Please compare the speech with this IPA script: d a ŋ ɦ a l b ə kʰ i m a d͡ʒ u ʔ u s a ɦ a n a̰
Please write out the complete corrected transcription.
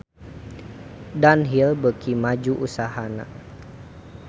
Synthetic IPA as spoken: d a n ɦ i l b ə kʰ i m a d͡ʒ u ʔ u s a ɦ a n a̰

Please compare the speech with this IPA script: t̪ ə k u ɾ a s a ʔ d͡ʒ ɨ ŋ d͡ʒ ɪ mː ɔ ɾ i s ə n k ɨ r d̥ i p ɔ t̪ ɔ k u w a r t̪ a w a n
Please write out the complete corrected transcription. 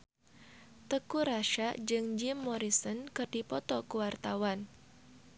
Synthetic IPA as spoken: t̪ ə k u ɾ a ʃ a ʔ d͡ʒ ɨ ŋ d͡ʒ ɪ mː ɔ ɾ i s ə n k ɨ r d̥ i p ɔ t̪ ɔ k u w a r t̪ a w a n

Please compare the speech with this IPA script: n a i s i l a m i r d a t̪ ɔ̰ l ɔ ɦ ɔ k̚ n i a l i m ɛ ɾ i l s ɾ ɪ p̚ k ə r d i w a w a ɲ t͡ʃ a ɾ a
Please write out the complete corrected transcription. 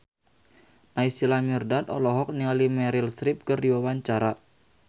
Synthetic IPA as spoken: n a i s i l a m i r d a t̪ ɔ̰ l ɔ ɦ ɔ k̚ n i a l i m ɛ ɾ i l s ɾ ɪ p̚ k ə r d i w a w a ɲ t͡ʃ a ɾ a

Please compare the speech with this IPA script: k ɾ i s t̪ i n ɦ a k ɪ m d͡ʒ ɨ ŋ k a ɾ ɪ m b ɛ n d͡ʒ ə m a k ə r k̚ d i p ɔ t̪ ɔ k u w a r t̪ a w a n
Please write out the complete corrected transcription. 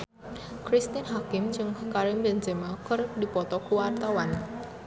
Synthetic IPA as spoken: k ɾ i s t̪ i n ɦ a k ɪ m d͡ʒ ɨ ŋ k a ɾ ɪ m b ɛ n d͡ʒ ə m a k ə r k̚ d i p ɔ t̪ ɔ k u w a r t̪ a w a n

